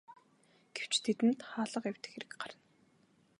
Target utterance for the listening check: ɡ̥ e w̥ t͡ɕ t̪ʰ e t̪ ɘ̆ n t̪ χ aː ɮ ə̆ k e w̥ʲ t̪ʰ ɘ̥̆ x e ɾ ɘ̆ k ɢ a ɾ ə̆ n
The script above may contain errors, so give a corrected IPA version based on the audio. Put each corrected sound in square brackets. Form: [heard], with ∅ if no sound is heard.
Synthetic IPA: ɡ̥ e w̥ t͡ɕ t̪ʰ e t̪ ɘ̆ n t̪ χ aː ɮ ə̆ [q] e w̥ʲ [t̪] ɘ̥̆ x e ɾ ɘ̆ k ɢ a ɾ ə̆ n